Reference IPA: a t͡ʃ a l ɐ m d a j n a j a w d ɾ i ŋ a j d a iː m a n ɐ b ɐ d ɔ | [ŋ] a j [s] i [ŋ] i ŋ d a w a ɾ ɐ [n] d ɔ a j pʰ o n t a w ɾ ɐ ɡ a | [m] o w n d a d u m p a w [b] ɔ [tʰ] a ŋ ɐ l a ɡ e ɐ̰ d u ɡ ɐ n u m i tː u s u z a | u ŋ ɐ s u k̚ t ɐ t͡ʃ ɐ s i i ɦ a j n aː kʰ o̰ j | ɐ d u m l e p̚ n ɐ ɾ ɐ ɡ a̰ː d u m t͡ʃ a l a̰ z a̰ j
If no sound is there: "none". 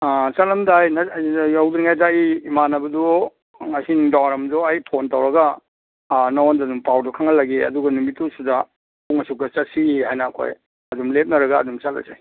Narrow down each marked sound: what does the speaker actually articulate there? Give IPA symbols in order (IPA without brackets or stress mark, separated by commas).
ŋ, s, n, m, n, d, kʰ